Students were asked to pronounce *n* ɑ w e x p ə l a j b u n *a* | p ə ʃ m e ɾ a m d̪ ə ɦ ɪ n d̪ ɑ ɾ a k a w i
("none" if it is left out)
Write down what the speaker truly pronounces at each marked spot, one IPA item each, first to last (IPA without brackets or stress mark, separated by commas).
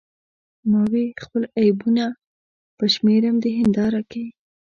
m, a